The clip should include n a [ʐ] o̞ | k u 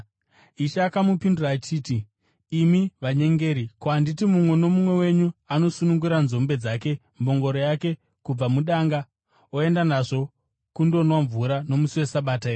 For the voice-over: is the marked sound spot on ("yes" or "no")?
yes